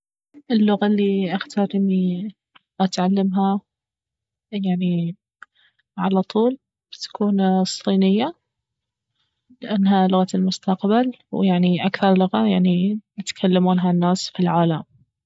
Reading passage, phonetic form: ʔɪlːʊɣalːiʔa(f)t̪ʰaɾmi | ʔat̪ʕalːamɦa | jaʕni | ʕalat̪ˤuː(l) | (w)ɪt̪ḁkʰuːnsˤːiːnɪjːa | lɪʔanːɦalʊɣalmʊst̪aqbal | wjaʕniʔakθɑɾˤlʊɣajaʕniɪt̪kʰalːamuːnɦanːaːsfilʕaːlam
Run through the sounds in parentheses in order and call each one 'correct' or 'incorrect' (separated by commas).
incorrect, correct, incorrect